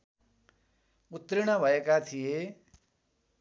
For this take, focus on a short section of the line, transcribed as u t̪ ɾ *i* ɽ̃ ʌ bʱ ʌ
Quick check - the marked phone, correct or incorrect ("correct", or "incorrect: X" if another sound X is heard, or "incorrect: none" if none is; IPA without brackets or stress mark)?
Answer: correct